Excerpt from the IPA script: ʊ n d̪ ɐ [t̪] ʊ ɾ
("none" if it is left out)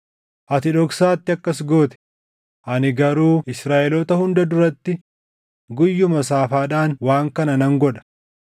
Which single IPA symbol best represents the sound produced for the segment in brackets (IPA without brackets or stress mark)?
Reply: d̪